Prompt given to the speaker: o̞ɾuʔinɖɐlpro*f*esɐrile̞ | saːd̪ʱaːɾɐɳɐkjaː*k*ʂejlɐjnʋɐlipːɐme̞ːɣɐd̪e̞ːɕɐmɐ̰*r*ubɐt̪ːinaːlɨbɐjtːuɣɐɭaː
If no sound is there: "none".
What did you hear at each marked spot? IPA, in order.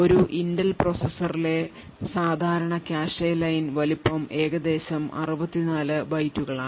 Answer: s, none, r

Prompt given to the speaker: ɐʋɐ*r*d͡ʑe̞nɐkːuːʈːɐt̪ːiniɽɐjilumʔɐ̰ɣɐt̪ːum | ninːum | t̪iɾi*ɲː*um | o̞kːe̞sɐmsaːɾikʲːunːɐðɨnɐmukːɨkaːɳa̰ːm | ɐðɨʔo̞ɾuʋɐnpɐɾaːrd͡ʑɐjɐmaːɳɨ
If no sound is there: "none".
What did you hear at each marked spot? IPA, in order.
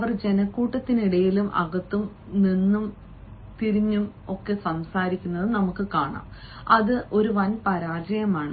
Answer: r, ɲː

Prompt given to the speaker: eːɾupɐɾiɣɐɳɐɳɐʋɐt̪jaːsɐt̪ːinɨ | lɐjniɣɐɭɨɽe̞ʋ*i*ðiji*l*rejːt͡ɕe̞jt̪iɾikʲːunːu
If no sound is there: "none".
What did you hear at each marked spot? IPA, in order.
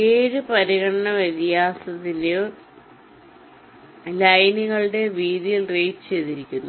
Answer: iː, l

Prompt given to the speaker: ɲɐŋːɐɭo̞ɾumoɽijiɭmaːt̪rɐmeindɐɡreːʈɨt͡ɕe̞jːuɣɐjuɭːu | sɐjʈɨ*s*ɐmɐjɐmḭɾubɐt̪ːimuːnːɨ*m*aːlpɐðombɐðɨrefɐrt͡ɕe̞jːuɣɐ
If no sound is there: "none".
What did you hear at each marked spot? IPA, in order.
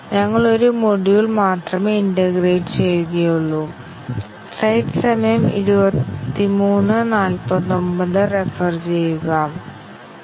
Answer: s, n

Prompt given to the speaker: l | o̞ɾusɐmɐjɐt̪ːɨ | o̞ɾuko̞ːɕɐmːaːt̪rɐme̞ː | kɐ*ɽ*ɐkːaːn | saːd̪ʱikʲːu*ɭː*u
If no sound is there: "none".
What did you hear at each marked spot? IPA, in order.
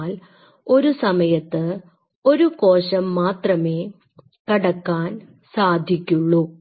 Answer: ɽ, ɭː

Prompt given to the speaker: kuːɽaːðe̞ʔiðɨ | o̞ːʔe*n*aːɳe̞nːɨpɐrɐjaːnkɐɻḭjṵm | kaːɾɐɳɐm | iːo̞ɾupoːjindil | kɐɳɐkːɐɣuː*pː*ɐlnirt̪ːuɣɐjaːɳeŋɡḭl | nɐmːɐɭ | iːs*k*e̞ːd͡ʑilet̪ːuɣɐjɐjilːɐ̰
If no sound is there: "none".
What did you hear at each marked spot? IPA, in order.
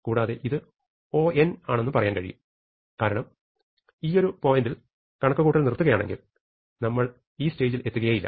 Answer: n, ʈː, t

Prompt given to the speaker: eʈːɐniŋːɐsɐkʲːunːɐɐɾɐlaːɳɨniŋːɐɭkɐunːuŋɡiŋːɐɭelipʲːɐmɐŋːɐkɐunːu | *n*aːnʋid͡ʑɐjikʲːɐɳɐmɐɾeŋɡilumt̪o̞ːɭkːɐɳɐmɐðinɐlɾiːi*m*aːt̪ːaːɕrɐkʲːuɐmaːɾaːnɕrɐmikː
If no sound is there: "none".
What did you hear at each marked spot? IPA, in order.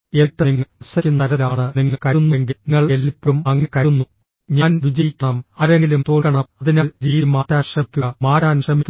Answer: ɲ, m

